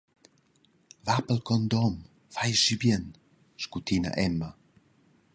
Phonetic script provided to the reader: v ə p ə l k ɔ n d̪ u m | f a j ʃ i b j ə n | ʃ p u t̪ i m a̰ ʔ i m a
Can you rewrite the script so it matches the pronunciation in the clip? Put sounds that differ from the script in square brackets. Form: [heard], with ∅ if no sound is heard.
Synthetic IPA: v [a] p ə l k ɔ n d̪ [ɔ] m | f a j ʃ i b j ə n | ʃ [k] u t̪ i [n] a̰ ʔ [ɛ] m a